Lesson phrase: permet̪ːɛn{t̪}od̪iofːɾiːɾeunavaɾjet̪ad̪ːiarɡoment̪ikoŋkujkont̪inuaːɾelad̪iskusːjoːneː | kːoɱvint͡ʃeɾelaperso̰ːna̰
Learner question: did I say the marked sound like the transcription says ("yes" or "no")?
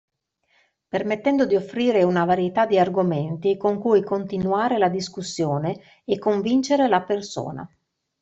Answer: no